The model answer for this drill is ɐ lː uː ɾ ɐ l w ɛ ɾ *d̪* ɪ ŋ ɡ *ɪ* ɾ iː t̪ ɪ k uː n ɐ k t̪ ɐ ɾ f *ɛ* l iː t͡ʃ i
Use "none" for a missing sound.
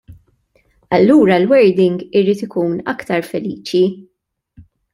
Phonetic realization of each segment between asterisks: d̪, ɪ, ɛ

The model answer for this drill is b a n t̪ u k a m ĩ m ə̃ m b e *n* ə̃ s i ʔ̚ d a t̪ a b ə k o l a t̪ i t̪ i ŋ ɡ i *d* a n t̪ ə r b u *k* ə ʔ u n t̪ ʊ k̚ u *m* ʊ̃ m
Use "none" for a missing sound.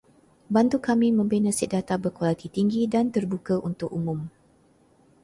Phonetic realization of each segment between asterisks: n, d, k, m

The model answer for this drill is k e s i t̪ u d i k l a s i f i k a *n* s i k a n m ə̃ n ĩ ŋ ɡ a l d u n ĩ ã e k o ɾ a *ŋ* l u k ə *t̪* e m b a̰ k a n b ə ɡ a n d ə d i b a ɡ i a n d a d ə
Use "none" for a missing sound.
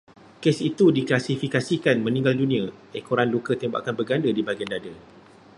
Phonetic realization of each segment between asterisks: none, n, t̪

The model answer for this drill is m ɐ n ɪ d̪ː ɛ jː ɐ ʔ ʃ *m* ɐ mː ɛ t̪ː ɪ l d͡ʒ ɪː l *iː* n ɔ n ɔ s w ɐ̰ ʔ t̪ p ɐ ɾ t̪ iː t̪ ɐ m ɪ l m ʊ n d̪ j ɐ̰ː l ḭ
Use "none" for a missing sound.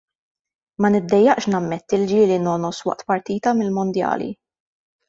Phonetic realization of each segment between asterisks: n, i

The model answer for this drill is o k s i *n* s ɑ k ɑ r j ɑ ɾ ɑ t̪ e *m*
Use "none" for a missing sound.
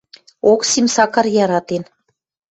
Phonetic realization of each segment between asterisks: m, n

